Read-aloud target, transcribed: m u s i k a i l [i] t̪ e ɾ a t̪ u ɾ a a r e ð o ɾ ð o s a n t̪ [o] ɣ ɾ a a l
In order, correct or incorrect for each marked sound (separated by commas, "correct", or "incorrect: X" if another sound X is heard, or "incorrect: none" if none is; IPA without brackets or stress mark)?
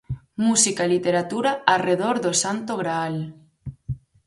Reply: correct, correct